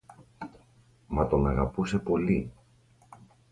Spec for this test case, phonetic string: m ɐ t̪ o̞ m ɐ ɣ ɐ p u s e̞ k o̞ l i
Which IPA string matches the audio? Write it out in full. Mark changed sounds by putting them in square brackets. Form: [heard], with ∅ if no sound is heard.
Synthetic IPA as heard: m ɐ t̪ o̞ [n] ɐ ɣ ɐ p u s e̞ [p] o̞ l i